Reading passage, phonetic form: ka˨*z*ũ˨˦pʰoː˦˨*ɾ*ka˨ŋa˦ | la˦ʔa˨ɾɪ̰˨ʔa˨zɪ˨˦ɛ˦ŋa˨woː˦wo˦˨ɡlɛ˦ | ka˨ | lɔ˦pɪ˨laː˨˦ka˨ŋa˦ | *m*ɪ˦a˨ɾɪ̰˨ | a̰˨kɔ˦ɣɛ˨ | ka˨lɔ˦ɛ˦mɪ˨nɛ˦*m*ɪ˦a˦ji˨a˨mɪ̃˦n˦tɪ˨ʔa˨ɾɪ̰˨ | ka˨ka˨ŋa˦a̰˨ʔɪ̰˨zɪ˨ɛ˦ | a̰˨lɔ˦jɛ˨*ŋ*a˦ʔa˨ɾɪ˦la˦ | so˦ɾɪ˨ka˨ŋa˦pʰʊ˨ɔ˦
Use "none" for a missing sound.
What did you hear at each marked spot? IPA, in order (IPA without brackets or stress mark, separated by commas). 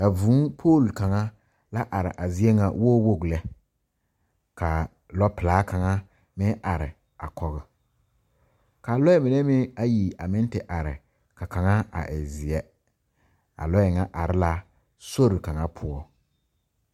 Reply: v, l, m, m, ŋ